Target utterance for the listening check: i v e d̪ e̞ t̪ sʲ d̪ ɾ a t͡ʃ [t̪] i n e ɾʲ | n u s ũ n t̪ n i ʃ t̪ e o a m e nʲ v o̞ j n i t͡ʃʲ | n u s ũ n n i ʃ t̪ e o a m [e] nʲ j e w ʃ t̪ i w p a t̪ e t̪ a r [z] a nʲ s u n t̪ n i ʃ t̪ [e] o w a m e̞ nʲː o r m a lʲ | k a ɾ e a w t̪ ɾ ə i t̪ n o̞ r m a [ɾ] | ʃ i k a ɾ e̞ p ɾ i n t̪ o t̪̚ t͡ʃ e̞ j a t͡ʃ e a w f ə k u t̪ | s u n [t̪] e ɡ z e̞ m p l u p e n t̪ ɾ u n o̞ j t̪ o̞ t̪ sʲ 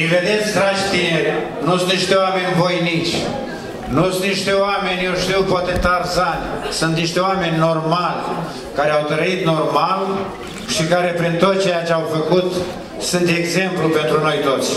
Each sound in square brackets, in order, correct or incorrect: correct, correct, correct, correct, incorrect, correct

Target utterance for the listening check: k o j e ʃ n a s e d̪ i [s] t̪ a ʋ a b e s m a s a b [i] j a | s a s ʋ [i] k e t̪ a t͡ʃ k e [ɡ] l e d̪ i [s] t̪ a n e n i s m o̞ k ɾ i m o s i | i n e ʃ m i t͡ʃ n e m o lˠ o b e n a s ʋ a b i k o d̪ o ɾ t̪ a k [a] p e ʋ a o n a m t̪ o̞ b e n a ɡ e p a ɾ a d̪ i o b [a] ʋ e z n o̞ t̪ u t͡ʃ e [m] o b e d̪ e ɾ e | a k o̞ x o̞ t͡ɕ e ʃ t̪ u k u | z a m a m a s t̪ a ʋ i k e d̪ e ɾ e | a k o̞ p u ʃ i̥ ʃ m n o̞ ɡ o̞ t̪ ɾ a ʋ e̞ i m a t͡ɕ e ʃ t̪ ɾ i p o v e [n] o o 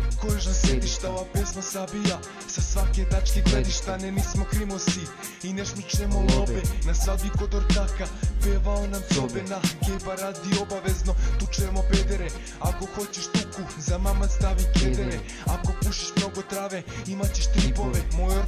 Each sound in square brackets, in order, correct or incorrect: incorrect, correct, incorrect, correct, incorrect, correct, correct, correct, incorrect

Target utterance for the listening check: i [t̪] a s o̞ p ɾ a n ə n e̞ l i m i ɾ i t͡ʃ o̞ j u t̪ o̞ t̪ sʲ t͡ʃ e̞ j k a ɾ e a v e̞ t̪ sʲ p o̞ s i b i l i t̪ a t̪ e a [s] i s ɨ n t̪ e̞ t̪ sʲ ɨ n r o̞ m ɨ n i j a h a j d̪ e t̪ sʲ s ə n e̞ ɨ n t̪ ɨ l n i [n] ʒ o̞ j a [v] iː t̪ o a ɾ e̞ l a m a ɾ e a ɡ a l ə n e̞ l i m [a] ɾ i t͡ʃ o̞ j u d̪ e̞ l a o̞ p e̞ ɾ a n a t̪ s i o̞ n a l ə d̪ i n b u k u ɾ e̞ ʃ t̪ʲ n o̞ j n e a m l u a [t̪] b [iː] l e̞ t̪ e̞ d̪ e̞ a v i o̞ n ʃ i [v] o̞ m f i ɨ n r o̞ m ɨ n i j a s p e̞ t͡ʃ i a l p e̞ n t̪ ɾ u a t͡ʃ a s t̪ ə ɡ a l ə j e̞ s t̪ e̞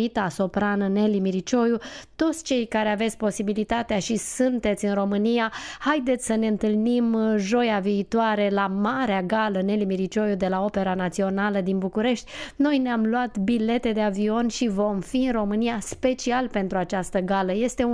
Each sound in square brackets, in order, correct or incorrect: correct, incorrect, incorrect, correct, incorrect, correct, incorrect, correct

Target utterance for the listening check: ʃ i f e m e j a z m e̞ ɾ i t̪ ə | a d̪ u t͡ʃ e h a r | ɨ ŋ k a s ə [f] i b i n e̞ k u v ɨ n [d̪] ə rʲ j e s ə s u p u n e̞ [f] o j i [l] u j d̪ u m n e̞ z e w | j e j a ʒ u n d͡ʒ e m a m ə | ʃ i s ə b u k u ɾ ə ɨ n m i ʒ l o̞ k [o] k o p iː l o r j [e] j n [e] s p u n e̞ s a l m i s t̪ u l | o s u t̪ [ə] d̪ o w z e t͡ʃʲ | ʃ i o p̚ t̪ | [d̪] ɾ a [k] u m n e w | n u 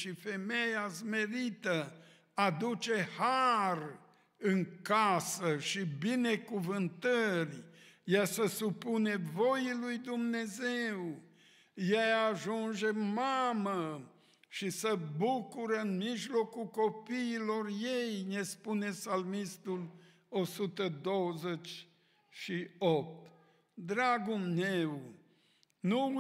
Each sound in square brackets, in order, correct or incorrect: incorrect, incorrect, incorrect, correct, incorrect, correct, correct, correct, correct, incorrect

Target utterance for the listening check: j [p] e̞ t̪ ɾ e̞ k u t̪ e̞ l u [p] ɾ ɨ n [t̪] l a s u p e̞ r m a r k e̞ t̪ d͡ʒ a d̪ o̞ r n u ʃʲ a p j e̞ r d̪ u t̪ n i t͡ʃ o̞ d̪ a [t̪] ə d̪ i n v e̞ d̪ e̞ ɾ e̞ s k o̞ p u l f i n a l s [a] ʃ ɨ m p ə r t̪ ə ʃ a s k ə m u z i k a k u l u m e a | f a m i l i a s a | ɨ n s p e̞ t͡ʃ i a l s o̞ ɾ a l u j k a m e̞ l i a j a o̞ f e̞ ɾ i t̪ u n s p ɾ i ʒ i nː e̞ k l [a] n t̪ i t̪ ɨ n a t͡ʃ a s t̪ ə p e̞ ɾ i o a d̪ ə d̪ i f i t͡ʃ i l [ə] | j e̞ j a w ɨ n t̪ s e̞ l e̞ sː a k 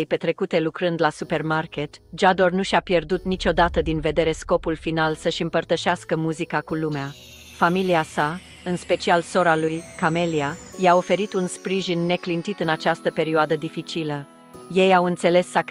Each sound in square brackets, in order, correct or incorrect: correct, incorrect, incorrect, correct, incorrect, incorrect, correct

